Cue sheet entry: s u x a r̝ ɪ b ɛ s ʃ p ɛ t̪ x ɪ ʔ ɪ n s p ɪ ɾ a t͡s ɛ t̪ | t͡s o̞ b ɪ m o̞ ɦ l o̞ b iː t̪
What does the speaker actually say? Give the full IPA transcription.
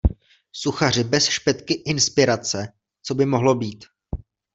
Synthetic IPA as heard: s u x a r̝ ɪ b ɛ s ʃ p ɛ t̪ k ɪ ʔ ɪ n s p ɪ ɾ a t͡s ɛ | t͡s o̞ b ɪ m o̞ ɦ l o̞ b iː t̪